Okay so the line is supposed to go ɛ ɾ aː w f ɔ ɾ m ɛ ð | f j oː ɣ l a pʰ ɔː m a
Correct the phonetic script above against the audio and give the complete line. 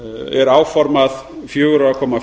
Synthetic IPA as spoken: ɛ ɾ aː w f ɔ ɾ m a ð | f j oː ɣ ɾ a kʰ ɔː m a